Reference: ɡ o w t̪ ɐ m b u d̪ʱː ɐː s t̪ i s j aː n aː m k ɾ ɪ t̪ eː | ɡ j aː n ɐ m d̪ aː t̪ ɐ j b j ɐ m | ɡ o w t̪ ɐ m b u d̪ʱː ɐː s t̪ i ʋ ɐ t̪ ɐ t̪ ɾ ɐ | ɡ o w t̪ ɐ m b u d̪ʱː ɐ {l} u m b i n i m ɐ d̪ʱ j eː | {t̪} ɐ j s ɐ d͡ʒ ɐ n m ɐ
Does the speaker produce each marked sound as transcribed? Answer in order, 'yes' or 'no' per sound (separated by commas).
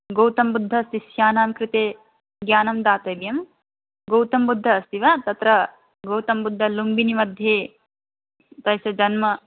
yes, yes